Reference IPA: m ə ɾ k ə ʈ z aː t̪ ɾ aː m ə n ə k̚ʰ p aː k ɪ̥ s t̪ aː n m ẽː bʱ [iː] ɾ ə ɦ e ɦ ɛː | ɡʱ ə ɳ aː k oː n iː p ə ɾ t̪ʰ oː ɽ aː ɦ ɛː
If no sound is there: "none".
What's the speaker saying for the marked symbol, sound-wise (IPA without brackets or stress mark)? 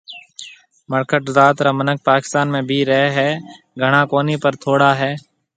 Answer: iː